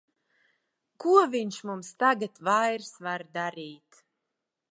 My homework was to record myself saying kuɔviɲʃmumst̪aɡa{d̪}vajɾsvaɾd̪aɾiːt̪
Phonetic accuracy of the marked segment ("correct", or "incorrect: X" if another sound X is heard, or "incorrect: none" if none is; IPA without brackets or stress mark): incorrect: t̪